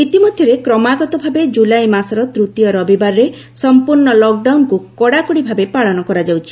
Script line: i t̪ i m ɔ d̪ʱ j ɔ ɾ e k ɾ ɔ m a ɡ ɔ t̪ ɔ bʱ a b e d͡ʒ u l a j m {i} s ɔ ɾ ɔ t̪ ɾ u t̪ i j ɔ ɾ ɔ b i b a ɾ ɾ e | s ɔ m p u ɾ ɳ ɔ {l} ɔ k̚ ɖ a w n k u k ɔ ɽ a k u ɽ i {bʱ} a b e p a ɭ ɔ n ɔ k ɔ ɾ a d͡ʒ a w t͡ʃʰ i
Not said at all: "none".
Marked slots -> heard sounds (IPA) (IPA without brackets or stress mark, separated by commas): a, l, bʱ